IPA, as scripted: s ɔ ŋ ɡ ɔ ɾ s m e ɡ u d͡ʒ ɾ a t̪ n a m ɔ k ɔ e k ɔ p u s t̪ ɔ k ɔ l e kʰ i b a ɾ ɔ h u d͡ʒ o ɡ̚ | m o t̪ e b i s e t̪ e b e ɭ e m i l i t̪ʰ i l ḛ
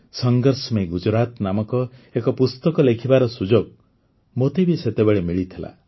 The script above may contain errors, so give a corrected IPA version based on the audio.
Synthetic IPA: s ɔ ŋ ɡ ɔ ɾ s m e ɡ u d͡ʒ ɾ a t̪ n a m ɔ k ɔ e k ɔ p u s t̪ ɔ k ɔ l e kʰ i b a ɾ ɔ s u d͡ʒ o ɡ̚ | m o t̪ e b i s e t̪ e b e ɭ e m i ɭ i t̪ʰ i l a̰